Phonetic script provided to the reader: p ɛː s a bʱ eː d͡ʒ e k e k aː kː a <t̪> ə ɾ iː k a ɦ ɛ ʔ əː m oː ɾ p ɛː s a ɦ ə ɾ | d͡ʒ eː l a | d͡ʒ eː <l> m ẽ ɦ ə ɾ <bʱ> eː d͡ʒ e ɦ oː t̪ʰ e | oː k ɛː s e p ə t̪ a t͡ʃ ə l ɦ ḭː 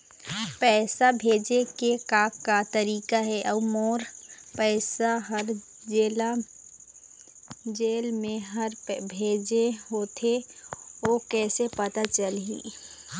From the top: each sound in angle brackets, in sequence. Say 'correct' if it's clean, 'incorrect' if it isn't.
correct, correct, correct

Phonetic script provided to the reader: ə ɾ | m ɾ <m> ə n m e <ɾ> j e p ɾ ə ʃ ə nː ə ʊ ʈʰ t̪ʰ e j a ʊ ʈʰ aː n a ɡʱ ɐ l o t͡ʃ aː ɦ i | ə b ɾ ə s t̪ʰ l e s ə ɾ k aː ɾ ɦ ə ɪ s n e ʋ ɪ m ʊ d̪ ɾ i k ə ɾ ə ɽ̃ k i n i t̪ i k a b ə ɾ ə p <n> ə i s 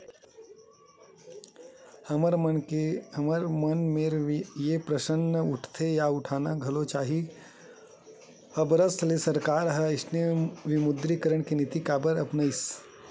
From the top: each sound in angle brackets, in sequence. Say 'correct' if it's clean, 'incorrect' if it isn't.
correct, correct, correct

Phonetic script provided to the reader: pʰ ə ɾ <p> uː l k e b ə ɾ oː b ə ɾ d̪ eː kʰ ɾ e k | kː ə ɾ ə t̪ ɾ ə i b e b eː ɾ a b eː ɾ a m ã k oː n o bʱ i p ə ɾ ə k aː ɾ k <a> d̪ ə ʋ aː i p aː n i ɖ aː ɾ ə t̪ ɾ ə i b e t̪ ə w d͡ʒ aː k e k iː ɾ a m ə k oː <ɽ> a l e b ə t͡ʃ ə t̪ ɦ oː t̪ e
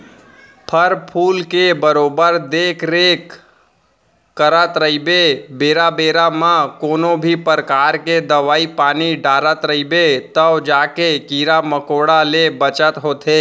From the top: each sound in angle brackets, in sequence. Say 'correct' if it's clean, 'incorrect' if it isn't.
incorrect: pʰ, incorrect: e, correct

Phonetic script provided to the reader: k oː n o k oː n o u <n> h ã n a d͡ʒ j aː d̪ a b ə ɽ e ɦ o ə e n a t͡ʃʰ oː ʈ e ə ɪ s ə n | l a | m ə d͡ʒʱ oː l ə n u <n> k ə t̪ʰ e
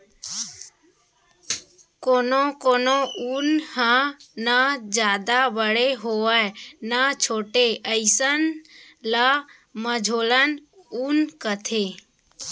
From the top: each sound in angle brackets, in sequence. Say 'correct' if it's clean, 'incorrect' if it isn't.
correct, correct

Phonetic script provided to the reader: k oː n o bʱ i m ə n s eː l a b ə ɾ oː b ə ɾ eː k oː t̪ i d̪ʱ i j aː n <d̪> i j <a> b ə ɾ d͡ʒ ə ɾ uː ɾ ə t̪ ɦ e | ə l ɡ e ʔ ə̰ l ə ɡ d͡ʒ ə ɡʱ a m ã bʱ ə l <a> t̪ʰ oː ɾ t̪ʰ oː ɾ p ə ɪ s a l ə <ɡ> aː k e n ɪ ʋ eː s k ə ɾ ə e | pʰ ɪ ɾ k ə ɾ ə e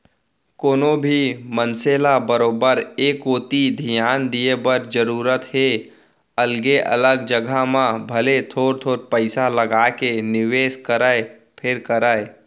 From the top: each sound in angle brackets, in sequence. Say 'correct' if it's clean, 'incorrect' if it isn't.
correct, incorrect: e, incorrect: e, correct

